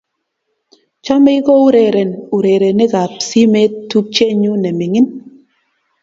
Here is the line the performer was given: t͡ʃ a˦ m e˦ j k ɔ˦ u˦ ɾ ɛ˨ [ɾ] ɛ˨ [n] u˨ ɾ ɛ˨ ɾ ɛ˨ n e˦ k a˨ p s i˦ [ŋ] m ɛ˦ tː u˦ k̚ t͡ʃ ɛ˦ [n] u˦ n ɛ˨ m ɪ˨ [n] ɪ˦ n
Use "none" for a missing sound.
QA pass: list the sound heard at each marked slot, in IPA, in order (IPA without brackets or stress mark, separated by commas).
ɾ, n, none, ɲ, ŋ